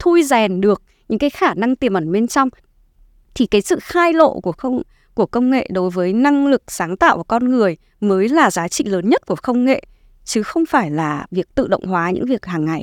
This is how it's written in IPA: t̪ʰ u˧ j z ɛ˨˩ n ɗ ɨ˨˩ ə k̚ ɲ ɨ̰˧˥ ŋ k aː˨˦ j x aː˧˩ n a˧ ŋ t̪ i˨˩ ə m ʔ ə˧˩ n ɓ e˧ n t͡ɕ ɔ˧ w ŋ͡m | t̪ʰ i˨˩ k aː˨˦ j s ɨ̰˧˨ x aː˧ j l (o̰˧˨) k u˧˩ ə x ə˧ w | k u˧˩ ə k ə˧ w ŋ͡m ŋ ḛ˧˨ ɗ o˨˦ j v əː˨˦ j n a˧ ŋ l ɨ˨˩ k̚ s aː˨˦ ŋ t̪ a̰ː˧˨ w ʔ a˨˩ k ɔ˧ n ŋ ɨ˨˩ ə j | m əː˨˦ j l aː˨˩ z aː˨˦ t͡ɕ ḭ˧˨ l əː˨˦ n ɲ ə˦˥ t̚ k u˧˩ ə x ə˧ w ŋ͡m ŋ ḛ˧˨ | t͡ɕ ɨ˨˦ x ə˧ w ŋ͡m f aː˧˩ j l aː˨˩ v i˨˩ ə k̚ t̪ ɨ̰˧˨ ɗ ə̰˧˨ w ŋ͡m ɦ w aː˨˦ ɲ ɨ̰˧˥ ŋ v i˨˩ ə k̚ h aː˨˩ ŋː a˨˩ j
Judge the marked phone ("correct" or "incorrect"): correct